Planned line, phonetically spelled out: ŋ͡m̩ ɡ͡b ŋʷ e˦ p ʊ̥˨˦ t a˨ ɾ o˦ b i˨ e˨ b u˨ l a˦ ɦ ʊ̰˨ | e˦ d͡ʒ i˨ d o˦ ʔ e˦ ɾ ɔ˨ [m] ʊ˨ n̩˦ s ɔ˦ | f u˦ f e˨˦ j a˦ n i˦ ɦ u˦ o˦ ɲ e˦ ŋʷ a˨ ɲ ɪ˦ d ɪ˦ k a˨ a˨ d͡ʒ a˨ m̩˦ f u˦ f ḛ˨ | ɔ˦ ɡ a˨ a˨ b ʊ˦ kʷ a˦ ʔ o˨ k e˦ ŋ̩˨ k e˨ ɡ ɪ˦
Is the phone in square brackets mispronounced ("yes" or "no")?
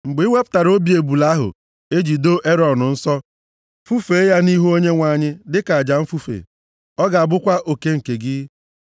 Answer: yes